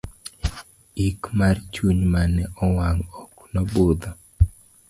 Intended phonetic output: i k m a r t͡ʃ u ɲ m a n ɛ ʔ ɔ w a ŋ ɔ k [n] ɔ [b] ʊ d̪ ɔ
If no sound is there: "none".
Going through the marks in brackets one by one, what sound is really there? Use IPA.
n, b

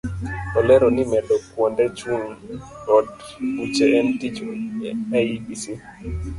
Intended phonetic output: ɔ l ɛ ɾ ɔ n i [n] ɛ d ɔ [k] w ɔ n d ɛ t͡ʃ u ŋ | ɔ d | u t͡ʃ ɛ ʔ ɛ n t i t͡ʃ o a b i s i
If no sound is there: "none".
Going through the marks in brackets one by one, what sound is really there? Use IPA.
m, k

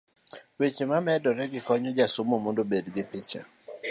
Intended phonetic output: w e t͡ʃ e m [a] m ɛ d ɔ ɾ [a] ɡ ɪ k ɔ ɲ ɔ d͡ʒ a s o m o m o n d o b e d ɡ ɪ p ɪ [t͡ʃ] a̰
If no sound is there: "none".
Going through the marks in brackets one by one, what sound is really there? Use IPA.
a, ɛ, t͡ʃ

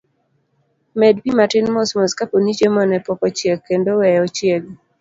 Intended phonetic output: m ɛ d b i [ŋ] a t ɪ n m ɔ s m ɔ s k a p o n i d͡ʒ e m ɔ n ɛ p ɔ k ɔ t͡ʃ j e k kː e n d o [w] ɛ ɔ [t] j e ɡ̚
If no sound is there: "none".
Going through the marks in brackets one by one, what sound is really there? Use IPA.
m, w, t͡ʃ

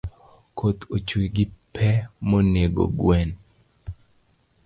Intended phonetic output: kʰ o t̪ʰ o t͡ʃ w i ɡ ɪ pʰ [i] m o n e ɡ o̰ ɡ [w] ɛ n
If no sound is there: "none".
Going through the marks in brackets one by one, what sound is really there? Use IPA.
ɛ, w

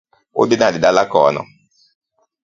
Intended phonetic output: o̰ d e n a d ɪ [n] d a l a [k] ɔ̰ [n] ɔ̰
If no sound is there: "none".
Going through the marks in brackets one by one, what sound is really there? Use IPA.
none, k, n

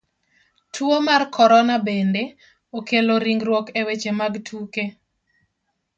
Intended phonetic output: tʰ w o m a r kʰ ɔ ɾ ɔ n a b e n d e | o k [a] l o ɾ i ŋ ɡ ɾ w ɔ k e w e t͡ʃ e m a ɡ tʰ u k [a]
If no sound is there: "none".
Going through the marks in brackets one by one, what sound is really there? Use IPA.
e, e

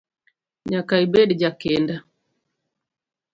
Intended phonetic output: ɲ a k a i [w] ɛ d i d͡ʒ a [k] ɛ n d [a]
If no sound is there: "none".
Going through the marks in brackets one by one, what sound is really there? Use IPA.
b, k, a

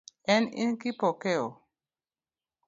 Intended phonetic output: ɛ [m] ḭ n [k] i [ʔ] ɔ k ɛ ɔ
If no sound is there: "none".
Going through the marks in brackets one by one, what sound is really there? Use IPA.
n, k, p

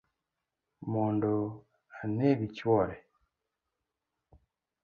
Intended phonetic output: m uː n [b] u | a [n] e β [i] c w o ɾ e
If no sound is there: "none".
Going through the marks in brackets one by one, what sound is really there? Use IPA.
d, n, i

